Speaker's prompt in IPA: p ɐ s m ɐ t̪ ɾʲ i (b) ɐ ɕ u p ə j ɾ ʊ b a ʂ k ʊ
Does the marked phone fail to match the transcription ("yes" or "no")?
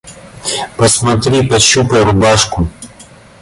yes